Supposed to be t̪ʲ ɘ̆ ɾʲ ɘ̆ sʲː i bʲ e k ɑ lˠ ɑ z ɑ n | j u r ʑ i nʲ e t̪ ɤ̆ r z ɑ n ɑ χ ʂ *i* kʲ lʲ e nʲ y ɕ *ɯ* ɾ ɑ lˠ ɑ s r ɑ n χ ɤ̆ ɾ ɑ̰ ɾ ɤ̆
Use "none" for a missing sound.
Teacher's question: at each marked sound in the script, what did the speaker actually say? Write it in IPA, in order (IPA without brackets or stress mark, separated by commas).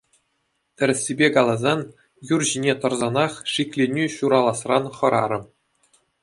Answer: i, u